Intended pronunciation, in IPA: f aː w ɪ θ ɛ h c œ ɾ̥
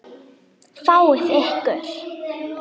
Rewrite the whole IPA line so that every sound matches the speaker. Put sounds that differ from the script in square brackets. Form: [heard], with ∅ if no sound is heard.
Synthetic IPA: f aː w ɪ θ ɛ h [k] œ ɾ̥